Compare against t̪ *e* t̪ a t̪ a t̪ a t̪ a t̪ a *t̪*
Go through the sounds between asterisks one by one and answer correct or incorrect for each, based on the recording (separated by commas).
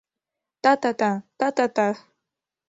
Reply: incorrect, incorrect